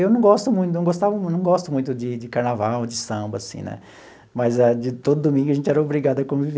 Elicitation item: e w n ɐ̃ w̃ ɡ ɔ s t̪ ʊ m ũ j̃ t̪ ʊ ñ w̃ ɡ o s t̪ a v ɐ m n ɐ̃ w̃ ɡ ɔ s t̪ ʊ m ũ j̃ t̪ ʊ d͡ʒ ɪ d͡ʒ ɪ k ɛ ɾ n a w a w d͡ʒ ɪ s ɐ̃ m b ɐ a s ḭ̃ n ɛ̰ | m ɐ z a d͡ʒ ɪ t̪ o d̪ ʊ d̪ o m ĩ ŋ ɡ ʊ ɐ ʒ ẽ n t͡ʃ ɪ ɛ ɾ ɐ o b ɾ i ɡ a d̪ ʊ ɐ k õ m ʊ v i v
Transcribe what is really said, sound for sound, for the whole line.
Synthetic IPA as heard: e w n ɐ̃ w̃ ɡ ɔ s t̪ ʊ m ũ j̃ t̪ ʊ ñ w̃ ɡ o s t̪ a v ɐ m n ɐ̃ w̃ ɡ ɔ s t̪ ʊ m ũ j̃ t̪ ʊ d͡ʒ ɪ d͡ʒ ɪ k a ɾ n a v a w d͡ʒ ɪ s ɐ̃ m b ɐ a s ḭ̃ n ɛ̰ | m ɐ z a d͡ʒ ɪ t̪ o d̪ ʊ d̪ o m ĩ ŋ ɡ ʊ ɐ ʒ ẽ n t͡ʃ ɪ ɛ ɾ ɐ o b ɾ i ɡ a d̪ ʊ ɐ k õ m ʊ v i v